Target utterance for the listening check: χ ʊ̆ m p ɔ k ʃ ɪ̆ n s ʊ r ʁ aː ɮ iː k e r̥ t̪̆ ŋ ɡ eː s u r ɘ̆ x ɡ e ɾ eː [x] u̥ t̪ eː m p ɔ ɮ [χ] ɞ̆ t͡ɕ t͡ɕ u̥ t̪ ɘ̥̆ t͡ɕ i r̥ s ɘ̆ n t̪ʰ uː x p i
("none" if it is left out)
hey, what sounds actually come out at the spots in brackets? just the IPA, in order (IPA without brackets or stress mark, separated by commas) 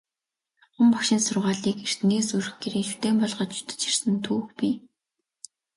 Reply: ʃ, ʁ